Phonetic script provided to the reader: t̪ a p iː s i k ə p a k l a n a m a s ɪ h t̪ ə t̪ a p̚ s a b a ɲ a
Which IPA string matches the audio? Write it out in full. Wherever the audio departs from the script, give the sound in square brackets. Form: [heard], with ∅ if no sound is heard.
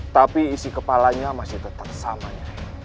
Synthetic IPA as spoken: t̪ a p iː s i k ə p a [∅] l a [ɲ] a m a s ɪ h t̪ ə t̪ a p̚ s a [m] a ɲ a

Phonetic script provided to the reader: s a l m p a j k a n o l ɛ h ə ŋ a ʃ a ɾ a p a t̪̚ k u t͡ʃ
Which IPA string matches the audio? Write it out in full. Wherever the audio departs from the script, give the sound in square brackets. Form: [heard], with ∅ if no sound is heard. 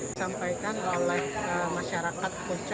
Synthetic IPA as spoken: s a [∅] m p a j k a n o l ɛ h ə [m] a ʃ a ɾ a [k] a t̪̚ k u t͡ʃ

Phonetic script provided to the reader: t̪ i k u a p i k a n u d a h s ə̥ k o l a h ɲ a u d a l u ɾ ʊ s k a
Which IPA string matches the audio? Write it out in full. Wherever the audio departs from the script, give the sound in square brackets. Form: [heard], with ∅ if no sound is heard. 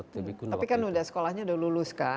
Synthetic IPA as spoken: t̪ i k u a p i k a n u d a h s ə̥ k o l a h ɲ a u d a l u [l] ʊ s k a

